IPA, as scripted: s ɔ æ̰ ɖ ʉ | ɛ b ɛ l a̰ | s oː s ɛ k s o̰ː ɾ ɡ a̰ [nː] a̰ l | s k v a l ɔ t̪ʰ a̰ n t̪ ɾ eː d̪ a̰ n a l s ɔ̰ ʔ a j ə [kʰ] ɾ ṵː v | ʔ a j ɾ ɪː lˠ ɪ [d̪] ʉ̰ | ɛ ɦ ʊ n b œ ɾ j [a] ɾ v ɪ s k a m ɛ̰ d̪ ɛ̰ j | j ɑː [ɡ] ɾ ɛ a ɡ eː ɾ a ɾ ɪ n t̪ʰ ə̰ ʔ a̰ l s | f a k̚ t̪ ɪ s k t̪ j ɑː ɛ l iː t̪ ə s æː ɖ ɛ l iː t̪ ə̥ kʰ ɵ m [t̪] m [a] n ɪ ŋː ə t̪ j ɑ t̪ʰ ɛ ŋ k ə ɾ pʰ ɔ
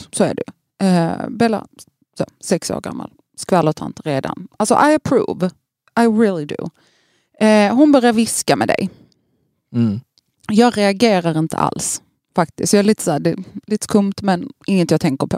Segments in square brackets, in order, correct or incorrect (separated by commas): incorrect, incorrect, correct, correct, correct, correct, incorrect